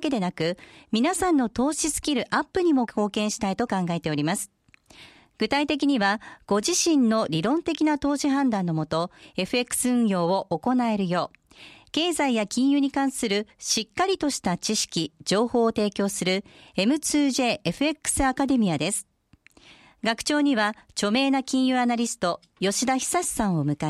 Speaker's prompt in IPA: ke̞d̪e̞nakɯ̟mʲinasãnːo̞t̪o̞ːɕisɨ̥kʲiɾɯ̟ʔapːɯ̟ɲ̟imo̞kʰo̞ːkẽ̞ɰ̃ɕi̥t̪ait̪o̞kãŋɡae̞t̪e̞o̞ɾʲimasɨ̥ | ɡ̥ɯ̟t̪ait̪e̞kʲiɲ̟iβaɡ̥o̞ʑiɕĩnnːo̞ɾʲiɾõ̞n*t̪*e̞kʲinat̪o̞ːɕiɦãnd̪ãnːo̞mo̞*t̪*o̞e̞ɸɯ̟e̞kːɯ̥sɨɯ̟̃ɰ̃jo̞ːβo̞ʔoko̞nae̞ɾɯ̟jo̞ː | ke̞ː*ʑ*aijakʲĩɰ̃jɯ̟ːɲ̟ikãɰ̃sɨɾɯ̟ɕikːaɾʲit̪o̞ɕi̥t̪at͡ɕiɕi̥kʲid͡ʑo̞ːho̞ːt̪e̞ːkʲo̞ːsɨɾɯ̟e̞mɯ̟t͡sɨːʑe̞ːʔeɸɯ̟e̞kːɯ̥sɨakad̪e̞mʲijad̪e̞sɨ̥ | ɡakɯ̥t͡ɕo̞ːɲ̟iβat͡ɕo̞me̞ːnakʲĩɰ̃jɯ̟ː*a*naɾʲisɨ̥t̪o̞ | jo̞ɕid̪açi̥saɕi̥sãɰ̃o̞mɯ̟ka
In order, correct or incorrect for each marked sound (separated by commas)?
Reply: correct, correct, incorrect, correct